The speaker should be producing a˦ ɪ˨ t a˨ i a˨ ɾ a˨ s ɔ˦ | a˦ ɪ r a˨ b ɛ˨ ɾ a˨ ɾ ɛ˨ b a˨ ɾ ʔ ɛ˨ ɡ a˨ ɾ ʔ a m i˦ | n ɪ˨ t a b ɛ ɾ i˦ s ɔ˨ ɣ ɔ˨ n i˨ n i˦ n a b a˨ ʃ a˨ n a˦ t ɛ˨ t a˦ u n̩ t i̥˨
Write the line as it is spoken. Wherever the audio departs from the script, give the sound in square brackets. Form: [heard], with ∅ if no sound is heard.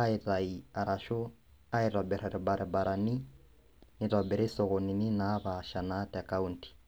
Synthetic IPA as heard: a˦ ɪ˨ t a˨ i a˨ ɾ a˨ [ʃ] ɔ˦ | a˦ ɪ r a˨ b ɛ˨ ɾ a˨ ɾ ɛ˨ b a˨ ɾ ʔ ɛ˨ [b] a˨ ɾ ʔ a [n] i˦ | n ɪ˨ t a b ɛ ɾ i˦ s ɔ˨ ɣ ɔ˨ n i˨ n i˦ n a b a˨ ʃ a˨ n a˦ t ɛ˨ [k] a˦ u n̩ t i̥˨